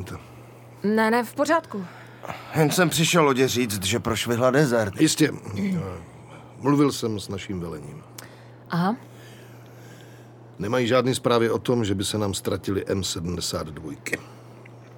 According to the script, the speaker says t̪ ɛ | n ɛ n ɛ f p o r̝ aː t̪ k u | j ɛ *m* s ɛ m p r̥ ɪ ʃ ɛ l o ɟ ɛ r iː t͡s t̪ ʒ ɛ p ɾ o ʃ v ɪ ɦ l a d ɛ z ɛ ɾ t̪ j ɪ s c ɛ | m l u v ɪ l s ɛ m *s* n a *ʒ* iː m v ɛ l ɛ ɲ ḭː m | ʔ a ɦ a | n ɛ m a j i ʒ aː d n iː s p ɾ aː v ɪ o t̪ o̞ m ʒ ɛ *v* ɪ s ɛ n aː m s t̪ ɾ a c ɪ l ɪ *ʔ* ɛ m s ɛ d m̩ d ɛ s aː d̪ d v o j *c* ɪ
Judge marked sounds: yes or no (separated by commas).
no, yes, no, no, yes, no